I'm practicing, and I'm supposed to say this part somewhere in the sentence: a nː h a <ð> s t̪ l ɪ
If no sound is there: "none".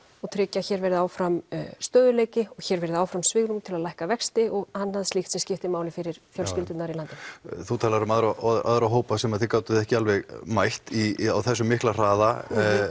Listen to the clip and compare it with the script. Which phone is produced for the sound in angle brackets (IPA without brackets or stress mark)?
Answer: ð